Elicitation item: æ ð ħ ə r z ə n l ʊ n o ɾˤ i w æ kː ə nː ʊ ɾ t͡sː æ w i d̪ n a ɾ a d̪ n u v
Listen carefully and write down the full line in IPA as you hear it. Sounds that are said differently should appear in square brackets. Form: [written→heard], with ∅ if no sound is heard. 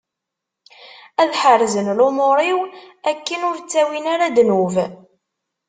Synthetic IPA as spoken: æ ð ħ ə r z ə n l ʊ [n→m] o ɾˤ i w æ kː ə [nː→n] ʊ ɾ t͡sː æ w i [d̪→∅] n a ɾ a d̪ n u v